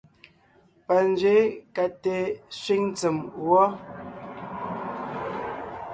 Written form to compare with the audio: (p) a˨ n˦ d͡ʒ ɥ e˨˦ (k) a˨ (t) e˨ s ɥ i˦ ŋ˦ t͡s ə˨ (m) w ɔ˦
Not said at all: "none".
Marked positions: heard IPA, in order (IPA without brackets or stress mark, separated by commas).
p, k, t, m